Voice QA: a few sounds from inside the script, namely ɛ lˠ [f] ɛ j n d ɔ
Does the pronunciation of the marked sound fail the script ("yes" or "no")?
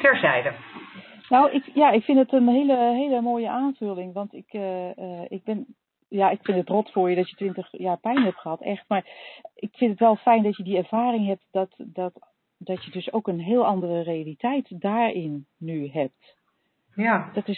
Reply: no